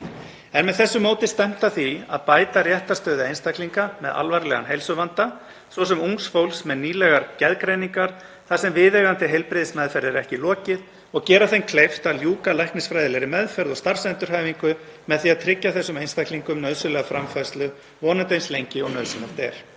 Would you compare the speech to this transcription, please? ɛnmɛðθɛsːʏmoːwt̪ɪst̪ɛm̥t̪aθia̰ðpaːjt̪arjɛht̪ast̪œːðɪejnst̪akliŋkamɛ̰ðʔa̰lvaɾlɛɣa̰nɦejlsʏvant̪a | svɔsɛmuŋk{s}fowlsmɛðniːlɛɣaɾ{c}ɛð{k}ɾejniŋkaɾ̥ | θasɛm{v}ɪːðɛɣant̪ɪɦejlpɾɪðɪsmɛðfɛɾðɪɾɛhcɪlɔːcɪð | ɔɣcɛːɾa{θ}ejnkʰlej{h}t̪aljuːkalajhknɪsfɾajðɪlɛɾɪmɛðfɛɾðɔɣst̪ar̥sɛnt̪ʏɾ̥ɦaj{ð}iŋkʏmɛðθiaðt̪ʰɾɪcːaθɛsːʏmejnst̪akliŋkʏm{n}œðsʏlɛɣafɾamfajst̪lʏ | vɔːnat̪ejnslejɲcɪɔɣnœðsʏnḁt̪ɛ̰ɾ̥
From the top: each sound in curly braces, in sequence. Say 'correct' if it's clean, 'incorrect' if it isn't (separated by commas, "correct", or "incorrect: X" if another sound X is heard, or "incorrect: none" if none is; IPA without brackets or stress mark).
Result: correct, correct, correct, correct, correct, incorrect: f, incorrect: v, correct